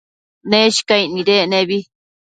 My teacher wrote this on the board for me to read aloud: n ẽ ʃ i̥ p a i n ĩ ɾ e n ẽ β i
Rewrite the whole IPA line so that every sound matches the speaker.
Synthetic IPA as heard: n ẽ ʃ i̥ k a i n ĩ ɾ e n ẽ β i

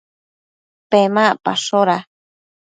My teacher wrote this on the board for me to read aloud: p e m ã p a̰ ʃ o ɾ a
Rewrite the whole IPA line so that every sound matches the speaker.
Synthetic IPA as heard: p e m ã p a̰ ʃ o ɾ a

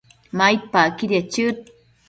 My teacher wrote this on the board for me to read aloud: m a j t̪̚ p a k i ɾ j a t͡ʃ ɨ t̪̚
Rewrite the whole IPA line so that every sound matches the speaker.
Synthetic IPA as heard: m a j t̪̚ p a k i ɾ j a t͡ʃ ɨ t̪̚

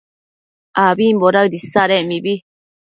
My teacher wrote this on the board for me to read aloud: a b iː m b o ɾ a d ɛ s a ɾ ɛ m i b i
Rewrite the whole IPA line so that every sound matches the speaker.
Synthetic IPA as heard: a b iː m b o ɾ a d i s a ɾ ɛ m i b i

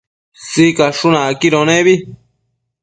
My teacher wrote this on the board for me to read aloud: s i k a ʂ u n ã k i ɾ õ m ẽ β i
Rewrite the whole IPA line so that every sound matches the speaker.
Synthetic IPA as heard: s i k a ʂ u n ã k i ɾ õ n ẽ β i

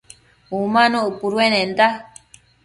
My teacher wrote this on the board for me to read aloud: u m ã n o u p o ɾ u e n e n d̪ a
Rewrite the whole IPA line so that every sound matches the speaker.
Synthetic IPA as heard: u m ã n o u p u ɾ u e n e n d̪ a

